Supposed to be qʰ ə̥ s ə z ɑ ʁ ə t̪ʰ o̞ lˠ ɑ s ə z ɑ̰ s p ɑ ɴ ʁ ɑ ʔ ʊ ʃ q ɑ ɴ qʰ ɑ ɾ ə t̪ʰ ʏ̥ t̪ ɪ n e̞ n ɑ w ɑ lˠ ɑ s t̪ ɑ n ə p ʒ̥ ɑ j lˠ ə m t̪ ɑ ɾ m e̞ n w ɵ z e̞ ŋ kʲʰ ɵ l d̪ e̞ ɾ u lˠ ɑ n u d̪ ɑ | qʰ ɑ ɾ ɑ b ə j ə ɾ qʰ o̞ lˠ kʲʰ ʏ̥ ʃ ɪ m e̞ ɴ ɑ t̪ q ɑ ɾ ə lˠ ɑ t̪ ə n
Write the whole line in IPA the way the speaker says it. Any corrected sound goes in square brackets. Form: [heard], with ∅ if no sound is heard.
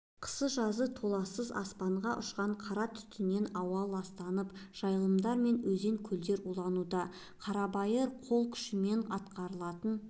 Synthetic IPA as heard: qʰ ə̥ s ə [ʒ] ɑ [z] ə t̪ʰ o̞ lˠ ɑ s ə z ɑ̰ s p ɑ ɴ ʁ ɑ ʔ ʊ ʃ q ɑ ɴ qʰ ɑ ɾ [ɑ] t̪ʰ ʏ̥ t̪ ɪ n e̞ n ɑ w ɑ lˠ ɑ s t̪ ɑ n ə p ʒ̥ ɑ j lˠ ə m [d̪] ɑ ɾ m e̞ n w ɵ z e̞ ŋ kʲʰ ɵ l d̪ e̞ ɾ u lˠ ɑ n u d̪ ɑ | qʰ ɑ ɾ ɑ b [ɑ] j ə ɾ qʰ o̞ lˠ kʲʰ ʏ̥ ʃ ɪ m e̞ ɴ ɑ t̪ q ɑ ɾ ə lˠ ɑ t̪ ə n